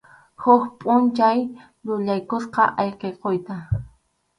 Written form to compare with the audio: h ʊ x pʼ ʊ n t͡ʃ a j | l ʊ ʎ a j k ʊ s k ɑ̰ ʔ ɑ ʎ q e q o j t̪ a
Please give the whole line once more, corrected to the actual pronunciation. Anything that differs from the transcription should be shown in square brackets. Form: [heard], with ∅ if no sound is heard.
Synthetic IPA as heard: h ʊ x pʼ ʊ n t͡ʃ a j | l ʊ ʎ a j k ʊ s [q] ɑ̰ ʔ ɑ [j] q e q o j t̪ a